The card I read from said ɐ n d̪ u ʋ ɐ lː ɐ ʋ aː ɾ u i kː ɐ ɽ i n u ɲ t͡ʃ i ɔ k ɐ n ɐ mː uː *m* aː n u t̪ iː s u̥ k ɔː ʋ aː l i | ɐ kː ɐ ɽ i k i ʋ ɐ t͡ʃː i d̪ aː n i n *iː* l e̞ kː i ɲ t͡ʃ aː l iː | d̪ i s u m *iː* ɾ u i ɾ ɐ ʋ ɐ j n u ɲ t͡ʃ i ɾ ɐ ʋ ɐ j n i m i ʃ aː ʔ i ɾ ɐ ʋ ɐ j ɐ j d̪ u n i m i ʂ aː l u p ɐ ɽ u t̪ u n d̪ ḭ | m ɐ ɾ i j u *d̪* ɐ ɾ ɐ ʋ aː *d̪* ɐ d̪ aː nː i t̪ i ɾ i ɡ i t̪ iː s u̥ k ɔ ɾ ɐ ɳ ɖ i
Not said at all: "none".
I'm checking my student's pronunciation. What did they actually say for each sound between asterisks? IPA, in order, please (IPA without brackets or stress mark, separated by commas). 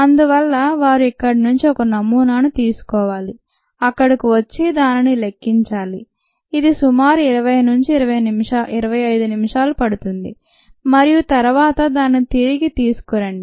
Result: n, i, aː, t̪, t̪